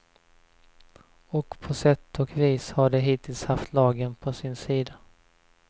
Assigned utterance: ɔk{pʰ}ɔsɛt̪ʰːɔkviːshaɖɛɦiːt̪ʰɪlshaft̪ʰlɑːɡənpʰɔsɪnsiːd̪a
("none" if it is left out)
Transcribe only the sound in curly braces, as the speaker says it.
pʰ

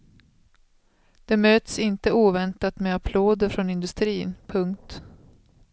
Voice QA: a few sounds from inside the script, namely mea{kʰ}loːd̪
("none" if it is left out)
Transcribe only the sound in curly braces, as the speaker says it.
pʰ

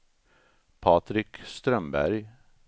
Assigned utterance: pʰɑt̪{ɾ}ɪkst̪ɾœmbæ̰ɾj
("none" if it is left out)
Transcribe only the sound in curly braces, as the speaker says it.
ɾ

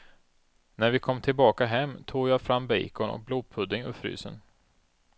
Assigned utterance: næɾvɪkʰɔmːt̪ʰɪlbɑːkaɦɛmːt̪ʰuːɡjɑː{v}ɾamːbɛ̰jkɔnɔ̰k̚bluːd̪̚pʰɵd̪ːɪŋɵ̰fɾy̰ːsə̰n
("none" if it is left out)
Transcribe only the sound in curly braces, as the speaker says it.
f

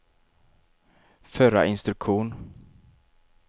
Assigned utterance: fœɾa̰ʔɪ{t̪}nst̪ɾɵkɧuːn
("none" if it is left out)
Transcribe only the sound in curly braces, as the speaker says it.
none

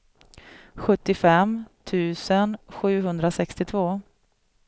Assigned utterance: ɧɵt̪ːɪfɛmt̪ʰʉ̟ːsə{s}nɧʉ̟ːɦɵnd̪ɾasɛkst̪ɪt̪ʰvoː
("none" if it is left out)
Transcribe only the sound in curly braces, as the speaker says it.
none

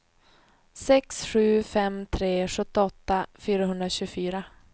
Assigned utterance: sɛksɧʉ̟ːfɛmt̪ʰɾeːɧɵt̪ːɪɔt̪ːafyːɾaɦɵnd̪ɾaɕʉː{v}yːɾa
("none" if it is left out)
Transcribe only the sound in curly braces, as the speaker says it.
f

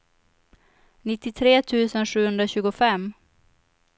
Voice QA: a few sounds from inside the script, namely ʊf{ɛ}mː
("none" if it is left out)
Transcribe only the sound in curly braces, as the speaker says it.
ɛ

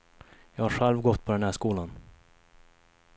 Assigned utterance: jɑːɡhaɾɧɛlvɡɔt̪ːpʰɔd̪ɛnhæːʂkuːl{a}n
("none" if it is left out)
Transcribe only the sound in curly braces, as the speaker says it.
a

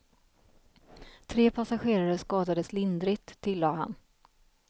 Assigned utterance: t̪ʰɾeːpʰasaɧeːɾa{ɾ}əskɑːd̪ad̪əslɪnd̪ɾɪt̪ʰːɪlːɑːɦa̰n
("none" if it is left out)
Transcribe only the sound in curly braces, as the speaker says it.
ɾ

